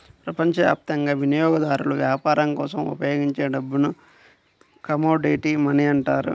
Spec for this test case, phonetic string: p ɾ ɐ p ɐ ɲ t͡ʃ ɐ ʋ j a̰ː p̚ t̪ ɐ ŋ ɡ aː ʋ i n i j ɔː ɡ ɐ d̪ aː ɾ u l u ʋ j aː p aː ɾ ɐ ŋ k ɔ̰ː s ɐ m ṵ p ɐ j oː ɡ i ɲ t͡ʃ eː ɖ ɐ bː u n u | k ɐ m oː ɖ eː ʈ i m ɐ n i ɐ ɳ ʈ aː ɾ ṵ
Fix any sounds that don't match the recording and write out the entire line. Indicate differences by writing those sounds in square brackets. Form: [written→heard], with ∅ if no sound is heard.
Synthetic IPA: p ɾ ɐ p ɐ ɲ t͡ʃ ɐ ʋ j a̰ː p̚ t̪ ɐ ŋ ɡ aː ʋ i n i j ɔː ɡ ɐ d̪ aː ɾ u l u ʋ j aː p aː ɾ ɐ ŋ k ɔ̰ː s ɐ m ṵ p ɐ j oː ɡ i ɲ t͡ʃ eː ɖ ɐ bː u n u | k ɐ m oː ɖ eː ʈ i m ɐ n i ɐ ɳ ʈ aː ɾ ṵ

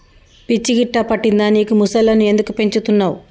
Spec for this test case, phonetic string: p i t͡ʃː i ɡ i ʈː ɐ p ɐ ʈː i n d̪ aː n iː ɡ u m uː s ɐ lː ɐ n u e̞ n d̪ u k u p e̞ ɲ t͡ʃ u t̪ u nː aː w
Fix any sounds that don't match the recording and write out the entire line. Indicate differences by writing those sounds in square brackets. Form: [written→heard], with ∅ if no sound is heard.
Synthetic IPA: p i t͡ʃː i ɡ i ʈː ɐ p ɐ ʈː i n d̪ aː n iː [ɡ→k] u m [uː→u] s ɐ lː ɐ n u e̞ n d̪ u k u p e̞ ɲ t͡ʃ u t̪ u nː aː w

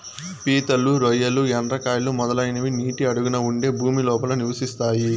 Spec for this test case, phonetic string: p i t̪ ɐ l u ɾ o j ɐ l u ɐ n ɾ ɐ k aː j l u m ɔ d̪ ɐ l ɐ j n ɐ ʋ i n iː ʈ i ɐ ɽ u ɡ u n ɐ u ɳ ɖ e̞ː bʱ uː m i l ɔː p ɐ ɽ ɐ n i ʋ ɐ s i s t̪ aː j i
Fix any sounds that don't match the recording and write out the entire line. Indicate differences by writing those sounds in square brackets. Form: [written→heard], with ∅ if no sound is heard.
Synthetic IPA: p [i→iː] t̪ ɐ l u ɾ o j ɐ l u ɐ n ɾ ɐ k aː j l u m ɔ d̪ ɐ l ɐ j n ɐ ʋ i n iː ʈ i ɐ ɽ u ɡ u n ɐ u ɳ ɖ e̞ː bʱ uː m i l ɔː p ɐ [ɽ→l] ɐ n i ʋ ɐ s i s t̪ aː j i

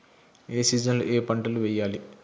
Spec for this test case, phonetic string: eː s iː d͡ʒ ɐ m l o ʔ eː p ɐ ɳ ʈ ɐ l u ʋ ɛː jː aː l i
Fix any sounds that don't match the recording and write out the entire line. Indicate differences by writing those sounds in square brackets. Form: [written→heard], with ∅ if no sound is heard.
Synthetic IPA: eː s iː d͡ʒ ɐ [m→n] l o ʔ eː p ɐ ɳ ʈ ɐ l u ʋ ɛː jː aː l i

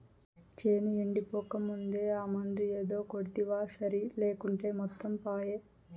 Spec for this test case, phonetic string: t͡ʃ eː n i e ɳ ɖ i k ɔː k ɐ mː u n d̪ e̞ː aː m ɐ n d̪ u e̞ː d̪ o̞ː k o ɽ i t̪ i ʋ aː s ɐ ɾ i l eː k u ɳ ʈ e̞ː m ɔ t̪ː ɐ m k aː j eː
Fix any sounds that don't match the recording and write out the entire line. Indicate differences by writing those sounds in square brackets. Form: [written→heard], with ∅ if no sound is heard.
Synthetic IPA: t͡ʃ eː n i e ɳ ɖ i [k→p] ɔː k ɐ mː u n d̪ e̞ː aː m ɐ n d̪ u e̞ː d̪ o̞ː k o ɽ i t̪ i ʋ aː s ɐ ɾ i l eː k u ɳ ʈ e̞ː m ɔ t̪ː ɐ m [k→p] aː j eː

